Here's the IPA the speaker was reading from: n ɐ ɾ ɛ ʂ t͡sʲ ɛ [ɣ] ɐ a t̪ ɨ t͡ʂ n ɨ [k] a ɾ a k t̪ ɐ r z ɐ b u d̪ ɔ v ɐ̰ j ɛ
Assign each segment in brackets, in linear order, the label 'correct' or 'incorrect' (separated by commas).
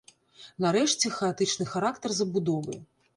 incorrect, incorrect